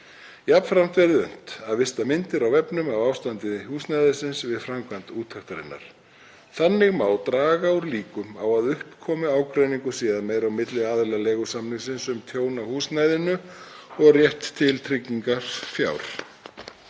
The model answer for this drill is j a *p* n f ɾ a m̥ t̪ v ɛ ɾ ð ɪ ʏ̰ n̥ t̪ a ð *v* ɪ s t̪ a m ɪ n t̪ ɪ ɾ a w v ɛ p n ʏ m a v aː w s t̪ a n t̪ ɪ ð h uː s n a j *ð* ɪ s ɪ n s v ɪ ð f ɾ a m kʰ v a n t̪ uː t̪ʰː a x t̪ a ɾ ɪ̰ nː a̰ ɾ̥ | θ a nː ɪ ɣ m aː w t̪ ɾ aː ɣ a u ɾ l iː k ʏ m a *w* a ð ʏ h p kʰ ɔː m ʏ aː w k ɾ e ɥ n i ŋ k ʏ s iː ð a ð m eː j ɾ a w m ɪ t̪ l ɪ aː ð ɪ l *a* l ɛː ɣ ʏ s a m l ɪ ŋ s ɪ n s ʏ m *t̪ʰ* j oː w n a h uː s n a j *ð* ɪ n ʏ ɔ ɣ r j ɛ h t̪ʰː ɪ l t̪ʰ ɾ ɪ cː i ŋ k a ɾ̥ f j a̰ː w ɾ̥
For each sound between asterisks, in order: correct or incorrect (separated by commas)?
correct, correct, correct, correct, correct, correct, correct